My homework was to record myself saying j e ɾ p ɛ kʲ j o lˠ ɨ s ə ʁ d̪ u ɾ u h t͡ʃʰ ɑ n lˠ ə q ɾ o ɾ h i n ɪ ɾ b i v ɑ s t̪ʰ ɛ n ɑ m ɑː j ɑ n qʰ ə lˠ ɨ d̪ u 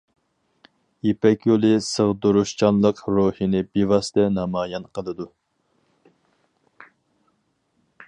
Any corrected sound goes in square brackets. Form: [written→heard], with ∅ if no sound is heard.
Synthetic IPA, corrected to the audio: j e [ɾ→∅] p ɛ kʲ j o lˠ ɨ s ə ʁ d̪ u ɾ u [h→ʃ] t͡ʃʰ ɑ n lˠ ə q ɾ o [ɾ→∅] h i n ɪ [ɾ→∅] b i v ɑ s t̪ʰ ɛ n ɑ m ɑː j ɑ n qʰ ə lˠ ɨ d̪ u